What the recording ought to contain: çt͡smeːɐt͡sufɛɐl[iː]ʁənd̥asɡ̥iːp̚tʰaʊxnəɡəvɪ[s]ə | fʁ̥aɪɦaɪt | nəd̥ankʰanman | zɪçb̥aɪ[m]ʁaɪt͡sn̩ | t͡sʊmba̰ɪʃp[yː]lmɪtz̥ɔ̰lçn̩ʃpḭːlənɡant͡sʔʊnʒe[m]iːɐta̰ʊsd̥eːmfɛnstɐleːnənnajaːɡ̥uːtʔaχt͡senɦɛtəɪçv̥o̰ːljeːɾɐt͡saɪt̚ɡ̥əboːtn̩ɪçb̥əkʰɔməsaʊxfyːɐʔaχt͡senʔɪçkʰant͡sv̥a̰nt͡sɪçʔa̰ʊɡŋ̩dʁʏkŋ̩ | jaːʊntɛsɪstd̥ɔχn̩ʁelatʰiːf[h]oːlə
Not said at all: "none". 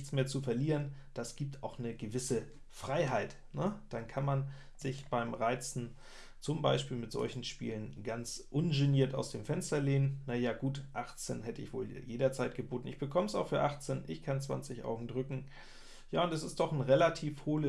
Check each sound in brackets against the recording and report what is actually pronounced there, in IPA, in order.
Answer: iː, s, m, iː, n, h

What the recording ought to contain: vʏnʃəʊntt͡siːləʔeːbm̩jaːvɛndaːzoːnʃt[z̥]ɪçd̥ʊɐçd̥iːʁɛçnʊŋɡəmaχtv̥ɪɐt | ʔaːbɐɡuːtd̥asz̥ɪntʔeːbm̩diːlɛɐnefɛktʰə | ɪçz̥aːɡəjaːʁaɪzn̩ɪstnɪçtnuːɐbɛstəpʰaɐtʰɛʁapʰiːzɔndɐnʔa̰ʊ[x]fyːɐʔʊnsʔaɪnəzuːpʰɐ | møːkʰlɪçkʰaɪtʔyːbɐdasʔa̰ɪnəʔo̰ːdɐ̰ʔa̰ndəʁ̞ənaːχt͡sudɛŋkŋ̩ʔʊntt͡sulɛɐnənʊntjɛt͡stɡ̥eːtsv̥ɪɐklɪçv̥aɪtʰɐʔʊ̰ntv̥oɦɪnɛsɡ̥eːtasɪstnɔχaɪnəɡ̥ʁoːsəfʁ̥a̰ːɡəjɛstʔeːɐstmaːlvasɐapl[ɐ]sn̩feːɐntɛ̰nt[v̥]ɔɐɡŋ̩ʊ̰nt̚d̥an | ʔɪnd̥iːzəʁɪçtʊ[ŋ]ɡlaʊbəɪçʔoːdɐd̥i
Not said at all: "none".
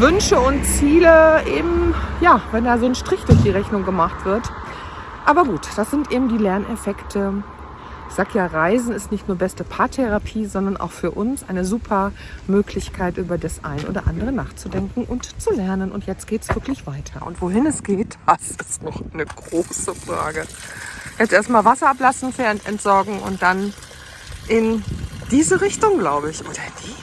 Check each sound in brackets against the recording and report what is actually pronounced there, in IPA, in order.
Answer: ʁ̥, x, a, z̥, ŋ

